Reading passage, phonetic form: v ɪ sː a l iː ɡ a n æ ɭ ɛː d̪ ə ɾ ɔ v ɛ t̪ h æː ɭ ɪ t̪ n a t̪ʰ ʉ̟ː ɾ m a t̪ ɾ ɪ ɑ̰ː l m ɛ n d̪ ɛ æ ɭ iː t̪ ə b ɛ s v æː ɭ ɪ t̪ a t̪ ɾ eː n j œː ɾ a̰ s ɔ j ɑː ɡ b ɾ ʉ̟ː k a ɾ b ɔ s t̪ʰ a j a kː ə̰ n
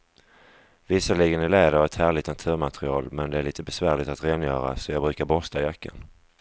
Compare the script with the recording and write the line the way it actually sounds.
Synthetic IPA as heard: v ɪ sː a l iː ɡ ə n æ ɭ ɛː d̪ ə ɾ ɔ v ɛ t̪ h æː ɭ ɪ t̪ n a t̪ʰ ʉ̟ː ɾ m a t̪ ɾ ɪ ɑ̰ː l m ɛ n d̪ ɛ æ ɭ iː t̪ ə b ɛ s v æː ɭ ɪ t̪ a t̪ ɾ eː n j œː ɾ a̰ s ɔ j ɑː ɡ b ɾ ʉ̟ː k a ɾ b ɔ s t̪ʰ a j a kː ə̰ n

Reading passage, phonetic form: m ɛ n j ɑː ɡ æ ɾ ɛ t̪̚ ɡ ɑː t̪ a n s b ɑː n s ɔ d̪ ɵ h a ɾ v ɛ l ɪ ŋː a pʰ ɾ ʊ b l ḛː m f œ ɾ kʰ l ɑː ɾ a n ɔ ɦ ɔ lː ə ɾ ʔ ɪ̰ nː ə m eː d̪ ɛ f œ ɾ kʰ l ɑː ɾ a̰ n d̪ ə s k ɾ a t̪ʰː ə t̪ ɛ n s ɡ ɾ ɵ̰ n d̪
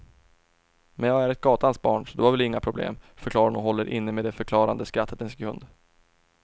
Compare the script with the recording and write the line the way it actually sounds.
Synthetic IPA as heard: m ɛ n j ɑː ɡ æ ɾ ɛ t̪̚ ɡ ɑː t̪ a n s b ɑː ɳ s ɔ d̪ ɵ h a ɾ v ɛ l ɪ ŋː a pʰ ɾ ʊ b l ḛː m f œ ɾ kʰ l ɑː ɾ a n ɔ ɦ ɔ lː ə ɾ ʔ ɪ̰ nː ə m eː d̪ ɛ f œ ɾ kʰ l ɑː ɾ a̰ n d̪ ə s k ɾ a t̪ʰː ə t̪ ɛ n s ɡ ɾ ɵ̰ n d̪

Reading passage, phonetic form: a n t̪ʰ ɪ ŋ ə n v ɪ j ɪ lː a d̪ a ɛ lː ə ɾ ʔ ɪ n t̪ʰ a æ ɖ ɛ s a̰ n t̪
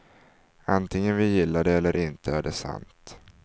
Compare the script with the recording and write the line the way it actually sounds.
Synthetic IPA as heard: a n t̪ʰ ɪ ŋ ə n v ɪ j ɪ lː a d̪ ɛ ɛ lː ə ɾ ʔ ɪ n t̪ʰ ə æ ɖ ɛ s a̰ n t̪

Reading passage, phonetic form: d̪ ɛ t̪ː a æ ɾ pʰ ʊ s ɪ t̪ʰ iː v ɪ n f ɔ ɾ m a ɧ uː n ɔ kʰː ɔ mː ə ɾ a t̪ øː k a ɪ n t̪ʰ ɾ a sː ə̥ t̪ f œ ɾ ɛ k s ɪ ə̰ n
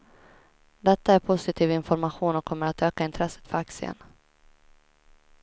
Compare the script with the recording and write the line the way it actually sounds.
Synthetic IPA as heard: d̪ ɛ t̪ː a æ ɾ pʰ ʊ s ɪ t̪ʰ iː v ɪ n f ɔ ɾ m a ɧ uː n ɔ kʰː ɔ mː ə ɾ a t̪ øː k a ɪ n t̪ʰ ɾ ɛ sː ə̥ t̪ f œ ɾ a k s ɪ ə̰ n

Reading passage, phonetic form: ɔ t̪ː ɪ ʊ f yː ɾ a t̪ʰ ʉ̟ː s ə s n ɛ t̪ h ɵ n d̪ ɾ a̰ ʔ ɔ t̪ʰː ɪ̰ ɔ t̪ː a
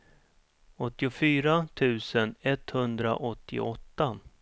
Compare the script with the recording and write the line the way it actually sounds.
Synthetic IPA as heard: ɔ t̪ː ɪ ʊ f yː ɾ a t̪ʰ ʉ̟ː s ə n ɛ t̪ h ɵ n d̪ ɾ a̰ ʔ ɔ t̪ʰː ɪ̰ ɔ t̪ː a

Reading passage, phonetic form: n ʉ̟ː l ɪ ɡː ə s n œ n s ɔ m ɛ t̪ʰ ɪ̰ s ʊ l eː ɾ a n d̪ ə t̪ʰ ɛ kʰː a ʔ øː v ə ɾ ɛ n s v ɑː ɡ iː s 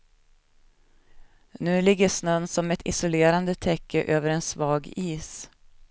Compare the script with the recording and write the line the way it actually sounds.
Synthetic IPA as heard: n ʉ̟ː l ɪ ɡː ə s n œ n s ɔ m ɛ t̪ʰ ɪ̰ s ʊ l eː ɾ a n d̪ ə t̪ʰ ɛ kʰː ə ʔ øː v ə ɾ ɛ n s v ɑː ɡ iː s

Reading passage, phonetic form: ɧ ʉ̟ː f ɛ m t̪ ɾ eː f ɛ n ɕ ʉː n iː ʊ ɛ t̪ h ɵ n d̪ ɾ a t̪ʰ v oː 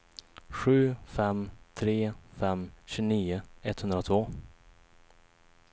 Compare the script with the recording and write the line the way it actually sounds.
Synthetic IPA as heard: ɧ ʉ̟ː f ɛ m t̪ʰ ɾ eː f ɛ m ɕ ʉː n iː ʊ ɛ t̪ h ɵ n d̪ ɾ a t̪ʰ v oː

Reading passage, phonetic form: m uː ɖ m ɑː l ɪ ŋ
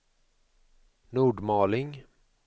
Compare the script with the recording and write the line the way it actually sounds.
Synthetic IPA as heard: n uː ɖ m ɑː l ɪ ŋ

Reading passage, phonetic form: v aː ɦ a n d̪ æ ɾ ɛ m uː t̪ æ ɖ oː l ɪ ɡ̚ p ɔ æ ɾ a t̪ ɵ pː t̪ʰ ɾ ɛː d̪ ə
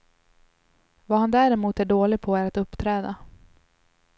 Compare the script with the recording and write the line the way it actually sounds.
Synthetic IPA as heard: v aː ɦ a n d̪ æ ɾ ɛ m uː t̪ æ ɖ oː l ɪ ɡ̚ pʰ ɔ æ ɾ a t̪ ɵ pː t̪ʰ ɾ ɛː d̪ a

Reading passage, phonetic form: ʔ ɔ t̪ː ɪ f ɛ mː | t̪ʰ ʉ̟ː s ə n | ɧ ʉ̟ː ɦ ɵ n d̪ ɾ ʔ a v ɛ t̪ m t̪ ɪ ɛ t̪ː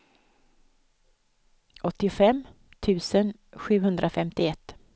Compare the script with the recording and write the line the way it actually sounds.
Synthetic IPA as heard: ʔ ɔ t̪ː ɪ f ɛ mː | t̪ʰ ʉ̟ː s ə n | ɧ ʉ̟ː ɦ ɵ n d̪ ɾ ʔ a f ɛ m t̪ ɪ ɛ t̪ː

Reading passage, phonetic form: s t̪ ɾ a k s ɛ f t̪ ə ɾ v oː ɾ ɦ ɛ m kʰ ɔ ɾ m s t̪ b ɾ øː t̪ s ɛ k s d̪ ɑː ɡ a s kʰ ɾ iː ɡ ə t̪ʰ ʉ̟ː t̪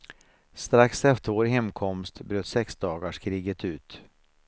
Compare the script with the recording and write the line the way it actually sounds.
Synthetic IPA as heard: s t̪ ɾ a k s ɛ f t̪ ə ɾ v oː ɾ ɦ ɛ m kʰ ɔ m s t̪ b ɾ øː t̪ s ɛ k s d̪ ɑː ɡ a ʂ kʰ ɾ iː ɡ ə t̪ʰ ʉ̟ː t̪

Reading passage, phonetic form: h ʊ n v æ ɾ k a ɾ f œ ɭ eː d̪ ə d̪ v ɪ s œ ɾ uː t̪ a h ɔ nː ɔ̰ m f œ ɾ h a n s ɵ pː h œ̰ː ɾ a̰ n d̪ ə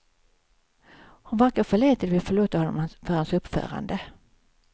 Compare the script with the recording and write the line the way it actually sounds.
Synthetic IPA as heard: h ʊ n v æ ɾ k a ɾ f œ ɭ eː t̪ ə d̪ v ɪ f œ ɭ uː t̪ a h ɔ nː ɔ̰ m f œ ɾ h a n s ɵ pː f œ̰ː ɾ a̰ n d̪ ə

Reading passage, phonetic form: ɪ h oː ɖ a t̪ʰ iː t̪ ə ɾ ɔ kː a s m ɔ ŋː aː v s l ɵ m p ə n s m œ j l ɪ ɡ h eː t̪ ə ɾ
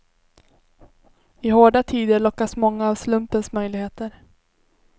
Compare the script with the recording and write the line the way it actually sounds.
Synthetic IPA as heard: ɪ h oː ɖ a t̪ʰ iː d̪ ə ɭ ɔ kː a s m ɔ ŋː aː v s l ɵ m p ə n s m œ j l ɪ ɡ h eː t̪ ə ɾ

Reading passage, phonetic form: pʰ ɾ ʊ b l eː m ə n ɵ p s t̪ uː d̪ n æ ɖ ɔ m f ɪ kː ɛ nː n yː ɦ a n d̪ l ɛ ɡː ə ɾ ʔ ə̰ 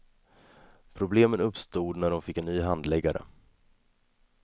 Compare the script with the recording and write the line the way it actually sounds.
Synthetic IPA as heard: pʰ ɾ ʊ b l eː m ə n ɵ p s t̪ uː d̪ n æ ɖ ɔ m f ɪ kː ɛ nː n yː ɦ a n d̪ l ɛ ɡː a ɾ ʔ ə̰

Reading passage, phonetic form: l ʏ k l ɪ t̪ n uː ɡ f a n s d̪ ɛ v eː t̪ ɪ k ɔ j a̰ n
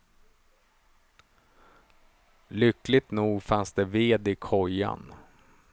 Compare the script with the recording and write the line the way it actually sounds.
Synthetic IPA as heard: l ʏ k l ɪ t̪ n uː ɡ f a n s d̪ ɛ v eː d̪ ɪ kʰ ɔ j a̰ n

